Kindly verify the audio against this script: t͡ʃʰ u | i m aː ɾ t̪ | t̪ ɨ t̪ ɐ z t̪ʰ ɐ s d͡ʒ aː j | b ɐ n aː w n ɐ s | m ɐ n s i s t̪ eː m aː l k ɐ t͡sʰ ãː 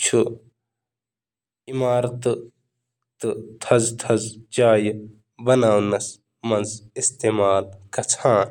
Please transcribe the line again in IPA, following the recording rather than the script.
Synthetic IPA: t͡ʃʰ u | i m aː ɾ t̪ | t̪ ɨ t̪ʰ ɐ z t̪ʰ ɐ z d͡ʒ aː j | b ɐ n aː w n ɐ s | m ɐ n z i s t̪ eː m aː l k ɐ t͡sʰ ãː